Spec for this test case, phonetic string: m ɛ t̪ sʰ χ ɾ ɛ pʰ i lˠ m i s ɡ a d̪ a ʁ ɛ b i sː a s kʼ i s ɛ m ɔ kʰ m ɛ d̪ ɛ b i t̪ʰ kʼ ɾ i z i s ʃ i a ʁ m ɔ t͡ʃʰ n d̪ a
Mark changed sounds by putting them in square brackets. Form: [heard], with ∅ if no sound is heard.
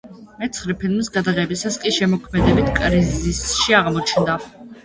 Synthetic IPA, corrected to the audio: m ɛ t̪ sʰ χ ɾ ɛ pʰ i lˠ m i s ɡ a d̪ a ʁ ɛ b i [s] a s kʼ i [ʃ] ɛ m ɔ kʰ m ɛ d̪ ɛ b i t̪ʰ kʼ ɾ i z i s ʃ i a ʁ m ɔ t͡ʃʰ n d̪ a